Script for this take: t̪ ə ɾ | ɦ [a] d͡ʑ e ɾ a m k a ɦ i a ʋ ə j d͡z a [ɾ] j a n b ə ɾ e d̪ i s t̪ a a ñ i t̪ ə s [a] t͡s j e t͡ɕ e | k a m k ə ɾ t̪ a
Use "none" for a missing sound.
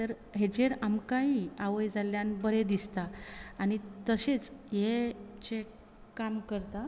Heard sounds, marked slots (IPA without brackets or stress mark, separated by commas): e, l, e